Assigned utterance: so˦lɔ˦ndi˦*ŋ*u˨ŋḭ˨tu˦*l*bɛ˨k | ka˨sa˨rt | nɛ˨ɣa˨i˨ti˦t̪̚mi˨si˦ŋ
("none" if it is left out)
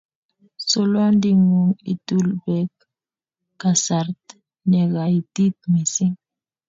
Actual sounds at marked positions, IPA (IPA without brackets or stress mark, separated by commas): ŋ, l